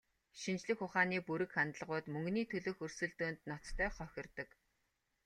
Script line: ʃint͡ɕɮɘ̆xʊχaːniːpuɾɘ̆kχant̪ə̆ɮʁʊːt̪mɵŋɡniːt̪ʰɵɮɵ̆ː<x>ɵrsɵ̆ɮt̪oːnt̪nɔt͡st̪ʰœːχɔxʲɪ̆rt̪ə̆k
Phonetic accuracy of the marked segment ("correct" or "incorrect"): correct